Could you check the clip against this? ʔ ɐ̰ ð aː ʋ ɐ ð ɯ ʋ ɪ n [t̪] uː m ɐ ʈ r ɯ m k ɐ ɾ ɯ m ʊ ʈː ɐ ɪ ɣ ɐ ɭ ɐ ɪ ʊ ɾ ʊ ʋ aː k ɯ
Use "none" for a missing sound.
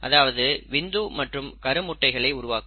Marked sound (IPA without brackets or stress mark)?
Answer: d̪